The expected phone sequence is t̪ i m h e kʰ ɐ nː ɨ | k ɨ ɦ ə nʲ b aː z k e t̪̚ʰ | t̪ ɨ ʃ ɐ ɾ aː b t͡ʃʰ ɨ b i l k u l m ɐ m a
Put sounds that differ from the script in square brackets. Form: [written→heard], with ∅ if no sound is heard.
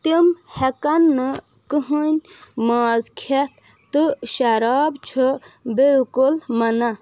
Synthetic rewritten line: t̪ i m h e [kʰ→k] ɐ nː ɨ | k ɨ ɦ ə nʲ [b→m] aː z [k→kʰ] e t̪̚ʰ | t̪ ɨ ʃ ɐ ɾ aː b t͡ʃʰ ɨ b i l k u l m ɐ [m→n] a